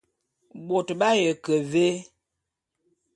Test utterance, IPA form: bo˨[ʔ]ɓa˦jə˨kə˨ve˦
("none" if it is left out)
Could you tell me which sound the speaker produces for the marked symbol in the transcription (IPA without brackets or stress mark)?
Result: t